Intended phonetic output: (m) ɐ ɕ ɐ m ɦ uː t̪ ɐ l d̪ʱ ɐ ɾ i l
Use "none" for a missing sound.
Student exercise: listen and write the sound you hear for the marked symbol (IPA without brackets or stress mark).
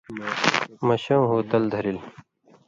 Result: m